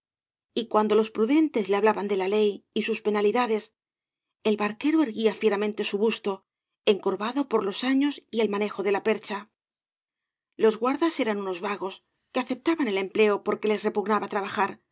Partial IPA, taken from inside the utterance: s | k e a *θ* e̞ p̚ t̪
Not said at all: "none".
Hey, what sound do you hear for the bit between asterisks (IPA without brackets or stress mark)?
θ